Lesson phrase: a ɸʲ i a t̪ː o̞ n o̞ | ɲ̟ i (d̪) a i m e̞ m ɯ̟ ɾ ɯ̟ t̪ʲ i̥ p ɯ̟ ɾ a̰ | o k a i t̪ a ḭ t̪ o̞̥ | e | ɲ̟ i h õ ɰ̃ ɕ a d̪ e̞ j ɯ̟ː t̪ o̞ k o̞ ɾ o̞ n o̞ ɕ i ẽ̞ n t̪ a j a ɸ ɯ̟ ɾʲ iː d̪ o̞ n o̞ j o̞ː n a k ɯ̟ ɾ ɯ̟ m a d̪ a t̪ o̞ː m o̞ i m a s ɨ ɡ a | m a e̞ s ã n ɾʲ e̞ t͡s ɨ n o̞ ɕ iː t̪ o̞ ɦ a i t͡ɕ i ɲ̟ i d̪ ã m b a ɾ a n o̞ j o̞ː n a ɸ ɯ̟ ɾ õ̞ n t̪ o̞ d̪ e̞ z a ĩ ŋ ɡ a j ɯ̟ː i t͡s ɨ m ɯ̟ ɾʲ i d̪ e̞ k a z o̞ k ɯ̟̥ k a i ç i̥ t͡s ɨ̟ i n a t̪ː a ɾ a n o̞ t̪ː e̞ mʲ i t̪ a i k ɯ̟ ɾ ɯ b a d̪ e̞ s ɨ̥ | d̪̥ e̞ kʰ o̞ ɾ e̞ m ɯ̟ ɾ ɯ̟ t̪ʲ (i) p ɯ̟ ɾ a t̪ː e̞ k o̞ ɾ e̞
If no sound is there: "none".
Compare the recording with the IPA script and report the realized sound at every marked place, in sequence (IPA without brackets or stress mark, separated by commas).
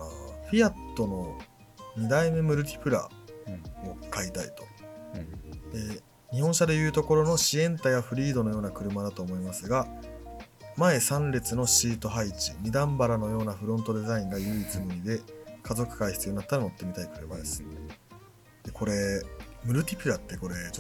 d̪, i